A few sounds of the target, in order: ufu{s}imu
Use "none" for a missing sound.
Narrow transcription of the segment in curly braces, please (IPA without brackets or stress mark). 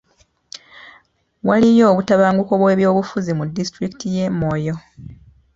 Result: z